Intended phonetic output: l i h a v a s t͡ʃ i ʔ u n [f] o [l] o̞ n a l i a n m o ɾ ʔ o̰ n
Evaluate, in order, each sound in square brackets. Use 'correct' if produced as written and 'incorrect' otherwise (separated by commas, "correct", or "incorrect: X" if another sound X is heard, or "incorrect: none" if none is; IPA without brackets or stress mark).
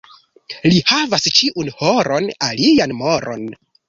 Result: incorrect: h, incorrect: ɾ